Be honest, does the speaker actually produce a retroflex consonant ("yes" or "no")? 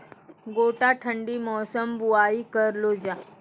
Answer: yes